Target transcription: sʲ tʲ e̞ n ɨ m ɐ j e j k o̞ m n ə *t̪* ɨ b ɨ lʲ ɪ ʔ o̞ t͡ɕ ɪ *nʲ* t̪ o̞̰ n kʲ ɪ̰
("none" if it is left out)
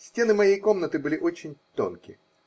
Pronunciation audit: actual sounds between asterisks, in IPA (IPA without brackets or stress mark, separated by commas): t̪, nʲ